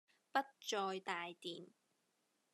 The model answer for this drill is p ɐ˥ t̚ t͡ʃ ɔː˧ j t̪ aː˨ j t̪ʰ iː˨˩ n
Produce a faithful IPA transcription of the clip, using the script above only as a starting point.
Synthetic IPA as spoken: p ɐ˥ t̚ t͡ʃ ɔː˧ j t̪ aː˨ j t̪ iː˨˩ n

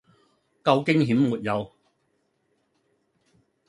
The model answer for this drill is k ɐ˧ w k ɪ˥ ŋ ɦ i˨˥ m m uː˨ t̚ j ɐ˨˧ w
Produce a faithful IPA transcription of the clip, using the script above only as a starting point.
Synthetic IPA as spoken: k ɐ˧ w k ɪ˥ ŋ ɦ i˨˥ m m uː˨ t̚ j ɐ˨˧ w

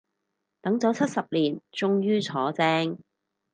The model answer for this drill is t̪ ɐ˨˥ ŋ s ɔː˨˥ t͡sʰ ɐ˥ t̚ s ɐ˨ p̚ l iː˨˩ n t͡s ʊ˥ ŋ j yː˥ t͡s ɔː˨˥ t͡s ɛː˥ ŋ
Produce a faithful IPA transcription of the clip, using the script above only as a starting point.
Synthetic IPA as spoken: t̪ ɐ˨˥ ŋ t͡s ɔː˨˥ t͡sʰ ɐ˥ t̚ s ɐ˨ p̚ l iː˨˩ n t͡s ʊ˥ ŋ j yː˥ t͡sʰ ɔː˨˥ t͡s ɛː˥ ŋ

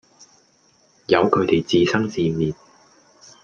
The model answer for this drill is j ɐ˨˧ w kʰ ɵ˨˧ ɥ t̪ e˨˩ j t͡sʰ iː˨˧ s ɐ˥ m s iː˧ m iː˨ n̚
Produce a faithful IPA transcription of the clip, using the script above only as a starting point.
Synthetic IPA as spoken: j ɐ˨˧ w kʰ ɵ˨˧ ɥ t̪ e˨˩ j t͡s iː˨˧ s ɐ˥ ŋ s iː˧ m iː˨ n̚

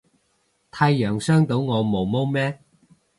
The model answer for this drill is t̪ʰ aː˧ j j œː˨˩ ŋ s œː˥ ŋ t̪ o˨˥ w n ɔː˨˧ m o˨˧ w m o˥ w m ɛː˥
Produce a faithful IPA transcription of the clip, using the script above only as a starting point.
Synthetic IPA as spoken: t̪ʰ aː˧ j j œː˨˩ ŋ s œː˥ ŋ t̪ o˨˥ w ŋ ɔː˨˧ m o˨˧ w m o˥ w m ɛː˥

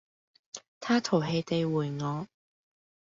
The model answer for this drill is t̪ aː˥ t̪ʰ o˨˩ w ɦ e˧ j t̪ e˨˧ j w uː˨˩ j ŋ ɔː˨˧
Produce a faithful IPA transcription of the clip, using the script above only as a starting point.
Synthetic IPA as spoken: t̪ʰ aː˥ t̪ʰ o˨˩ w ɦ e˧ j t̪ e˨˧ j w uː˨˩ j ŋ ɔː˨˧

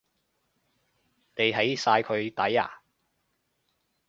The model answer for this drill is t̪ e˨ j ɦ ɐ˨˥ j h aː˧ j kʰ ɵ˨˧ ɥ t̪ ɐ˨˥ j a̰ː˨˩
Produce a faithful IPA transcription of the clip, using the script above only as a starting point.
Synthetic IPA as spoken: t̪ e˨ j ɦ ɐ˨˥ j s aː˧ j kʰ ɵ˨˧ ɥ t̪ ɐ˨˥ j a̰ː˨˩

